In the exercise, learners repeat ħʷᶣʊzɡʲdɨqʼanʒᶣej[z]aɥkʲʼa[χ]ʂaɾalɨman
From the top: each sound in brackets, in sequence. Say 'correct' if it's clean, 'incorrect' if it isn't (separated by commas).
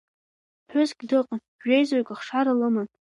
correct, correct